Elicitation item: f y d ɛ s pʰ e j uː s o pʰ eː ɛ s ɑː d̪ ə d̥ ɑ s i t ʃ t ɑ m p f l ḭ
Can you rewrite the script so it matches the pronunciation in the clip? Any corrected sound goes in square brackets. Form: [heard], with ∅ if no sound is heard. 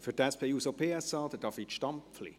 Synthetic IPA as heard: f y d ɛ s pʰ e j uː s o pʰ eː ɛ s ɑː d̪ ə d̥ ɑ [f] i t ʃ t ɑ m p f l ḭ

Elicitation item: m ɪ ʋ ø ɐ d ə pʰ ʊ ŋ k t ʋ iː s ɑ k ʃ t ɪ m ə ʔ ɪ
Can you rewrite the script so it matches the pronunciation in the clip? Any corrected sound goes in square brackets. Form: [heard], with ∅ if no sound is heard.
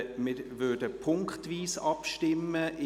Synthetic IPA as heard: m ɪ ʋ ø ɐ d ə pʰ ʊ ŋ k t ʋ iː s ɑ [p] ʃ t ɪ m ə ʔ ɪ

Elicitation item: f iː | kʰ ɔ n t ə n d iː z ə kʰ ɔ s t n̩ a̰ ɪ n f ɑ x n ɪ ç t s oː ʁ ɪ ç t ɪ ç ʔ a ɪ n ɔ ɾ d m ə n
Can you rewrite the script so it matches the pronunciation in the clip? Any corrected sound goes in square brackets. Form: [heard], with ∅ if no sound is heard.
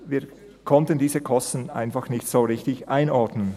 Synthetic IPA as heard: [v] iː | kʰ ɔ n t ə n d iː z ə kʰ ɔ s t n̩ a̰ ɪ n f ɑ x n ɪ ç t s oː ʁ ɪ ç t ɪ ç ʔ a ɪ n ɔ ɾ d [n] ə n

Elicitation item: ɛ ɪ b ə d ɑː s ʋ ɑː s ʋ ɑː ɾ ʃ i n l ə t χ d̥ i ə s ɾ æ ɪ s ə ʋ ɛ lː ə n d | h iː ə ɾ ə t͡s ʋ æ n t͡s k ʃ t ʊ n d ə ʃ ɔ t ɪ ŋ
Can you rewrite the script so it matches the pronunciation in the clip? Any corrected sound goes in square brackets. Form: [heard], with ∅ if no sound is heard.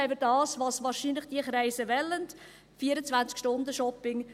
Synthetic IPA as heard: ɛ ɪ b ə d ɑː s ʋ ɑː s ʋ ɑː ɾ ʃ i n l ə [∅] χ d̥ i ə [χ] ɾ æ ɪ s ə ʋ ɛ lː ə n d | [f] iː ə ɾ ə t͡s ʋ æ n t͡s k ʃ t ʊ n d ə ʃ ɔ [p] ɪ ŋ

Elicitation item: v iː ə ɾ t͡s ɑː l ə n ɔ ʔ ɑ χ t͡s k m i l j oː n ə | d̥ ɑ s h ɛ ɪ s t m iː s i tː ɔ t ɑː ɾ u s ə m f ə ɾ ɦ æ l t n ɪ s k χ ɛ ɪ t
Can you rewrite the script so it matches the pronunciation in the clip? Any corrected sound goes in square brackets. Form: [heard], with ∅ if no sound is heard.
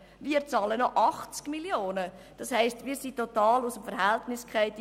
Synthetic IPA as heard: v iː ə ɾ t͡s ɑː l ə n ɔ ʔ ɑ χ t͡s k m i l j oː n ə | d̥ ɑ s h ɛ ɪ s t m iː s i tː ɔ t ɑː [l] u s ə m f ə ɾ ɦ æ l t n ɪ s k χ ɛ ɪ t

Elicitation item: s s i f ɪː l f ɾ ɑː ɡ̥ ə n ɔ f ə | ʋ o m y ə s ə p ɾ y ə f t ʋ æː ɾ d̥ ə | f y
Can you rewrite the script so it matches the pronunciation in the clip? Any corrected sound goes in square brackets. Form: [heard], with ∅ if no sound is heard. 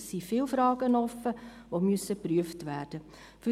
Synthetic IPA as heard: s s i f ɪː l f ɾ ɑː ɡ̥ ə n ɔ f ə | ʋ o m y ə s ə p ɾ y ə f t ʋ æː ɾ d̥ ə | f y

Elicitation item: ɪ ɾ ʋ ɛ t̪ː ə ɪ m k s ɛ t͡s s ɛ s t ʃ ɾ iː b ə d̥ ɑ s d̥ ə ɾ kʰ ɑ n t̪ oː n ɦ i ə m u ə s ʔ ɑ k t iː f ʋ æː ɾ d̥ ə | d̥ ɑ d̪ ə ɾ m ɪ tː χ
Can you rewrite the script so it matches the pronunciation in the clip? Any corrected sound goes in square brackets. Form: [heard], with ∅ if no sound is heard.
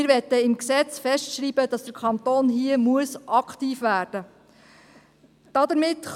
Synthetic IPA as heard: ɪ ɾ ʋ ɛ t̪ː ə ɪ m k s ɛ t͡s [f] ɛ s t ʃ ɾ iː b ə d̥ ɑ s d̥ ə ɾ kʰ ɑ n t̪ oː n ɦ i ə m u ə s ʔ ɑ k t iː f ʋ æː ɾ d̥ ə | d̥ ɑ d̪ ə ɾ m ɪ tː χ

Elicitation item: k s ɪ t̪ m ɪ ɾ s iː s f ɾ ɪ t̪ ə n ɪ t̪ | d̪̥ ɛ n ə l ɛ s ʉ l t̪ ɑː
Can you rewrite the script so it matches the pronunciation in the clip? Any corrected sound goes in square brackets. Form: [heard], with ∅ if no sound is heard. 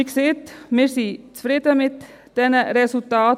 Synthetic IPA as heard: k s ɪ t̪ m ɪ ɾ s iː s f ɾ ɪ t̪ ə [m] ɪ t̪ | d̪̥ ɛ n ə [ɾ] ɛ s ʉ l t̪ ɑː

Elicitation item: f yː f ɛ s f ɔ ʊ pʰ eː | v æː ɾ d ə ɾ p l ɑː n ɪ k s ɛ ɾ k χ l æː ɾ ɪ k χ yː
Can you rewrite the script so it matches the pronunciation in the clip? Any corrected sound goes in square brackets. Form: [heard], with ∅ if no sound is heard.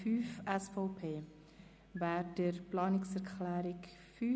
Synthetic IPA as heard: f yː f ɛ s f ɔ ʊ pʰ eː | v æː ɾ d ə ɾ p l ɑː n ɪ k s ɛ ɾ k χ l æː ɾ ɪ k [f] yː

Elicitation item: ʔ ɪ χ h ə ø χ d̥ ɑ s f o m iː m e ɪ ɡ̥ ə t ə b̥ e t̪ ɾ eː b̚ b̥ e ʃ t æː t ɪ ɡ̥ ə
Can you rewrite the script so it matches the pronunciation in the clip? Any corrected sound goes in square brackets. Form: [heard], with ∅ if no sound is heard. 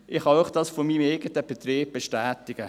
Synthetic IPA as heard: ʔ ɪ χ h [ɑ] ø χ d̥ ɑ s f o m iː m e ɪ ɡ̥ ə t ə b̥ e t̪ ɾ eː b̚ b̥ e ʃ t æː t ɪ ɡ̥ ə

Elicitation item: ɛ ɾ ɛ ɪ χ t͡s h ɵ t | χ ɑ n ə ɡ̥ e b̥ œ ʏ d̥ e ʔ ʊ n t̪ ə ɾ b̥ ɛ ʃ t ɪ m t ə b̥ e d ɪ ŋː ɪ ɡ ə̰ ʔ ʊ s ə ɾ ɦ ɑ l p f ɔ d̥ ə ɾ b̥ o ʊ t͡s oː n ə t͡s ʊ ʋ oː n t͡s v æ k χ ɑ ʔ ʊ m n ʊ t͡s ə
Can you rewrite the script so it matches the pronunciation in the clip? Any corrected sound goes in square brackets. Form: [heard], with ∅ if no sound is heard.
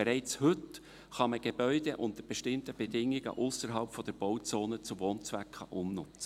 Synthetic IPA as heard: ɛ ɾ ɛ ɪ [∅] t͡s h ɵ t | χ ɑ [m] ə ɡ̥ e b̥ œ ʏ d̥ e ʔ ʊ n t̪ ə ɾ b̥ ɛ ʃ t ɪ m t ə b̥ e d ɪ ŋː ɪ ɡ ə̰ ʔ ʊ s ə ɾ ɦ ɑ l p f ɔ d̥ ə ɾ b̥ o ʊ t͡s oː n ə t͡s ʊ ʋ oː n t͡s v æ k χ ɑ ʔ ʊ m n ʊ t͡s ə

